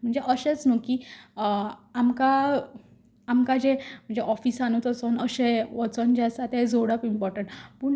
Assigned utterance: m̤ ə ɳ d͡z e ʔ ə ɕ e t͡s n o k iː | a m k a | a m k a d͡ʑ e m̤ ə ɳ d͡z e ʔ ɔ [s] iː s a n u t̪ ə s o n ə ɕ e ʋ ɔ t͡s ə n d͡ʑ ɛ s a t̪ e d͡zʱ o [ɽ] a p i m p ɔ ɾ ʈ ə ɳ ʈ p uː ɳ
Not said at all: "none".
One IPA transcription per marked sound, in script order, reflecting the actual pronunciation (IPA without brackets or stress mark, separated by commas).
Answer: f, ɽ